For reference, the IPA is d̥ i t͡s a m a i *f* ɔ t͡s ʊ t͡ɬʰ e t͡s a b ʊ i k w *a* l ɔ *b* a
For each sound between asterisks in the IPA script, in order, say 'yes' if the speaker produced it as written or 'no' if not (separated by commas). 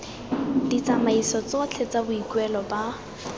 no, no, yes